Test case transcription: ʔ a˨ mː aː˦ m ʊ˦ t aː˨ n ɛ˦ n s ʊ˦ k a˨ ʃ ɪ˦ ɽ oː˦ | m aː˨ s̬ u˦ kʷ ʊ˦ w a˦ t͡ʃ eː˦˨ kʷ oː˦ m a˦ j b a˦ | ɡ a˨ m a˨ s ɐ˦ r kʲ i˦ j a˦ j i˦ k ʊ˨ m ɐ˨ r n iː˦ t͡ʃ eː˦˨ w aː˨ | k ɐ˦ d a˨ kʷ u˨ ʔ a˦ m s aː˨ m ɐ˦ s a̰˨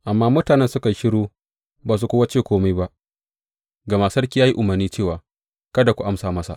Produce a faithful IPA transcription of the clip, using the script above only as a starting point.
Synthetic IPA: ʔ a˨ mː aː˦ m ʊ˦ t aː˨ n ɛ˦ n s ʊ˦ k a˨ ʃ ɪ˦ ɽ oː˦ | b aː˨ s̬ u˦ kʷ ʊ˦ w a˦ t͡ʃ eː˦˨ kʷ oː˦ m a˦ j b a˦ | ɡ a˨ m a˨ s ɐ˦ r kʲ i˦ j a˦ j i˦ ʔ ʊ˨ m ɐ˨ r n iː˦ t͡ʃ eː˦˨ w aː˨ | k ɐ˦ d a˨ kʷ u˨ ʔ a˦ m s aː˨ m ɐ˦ s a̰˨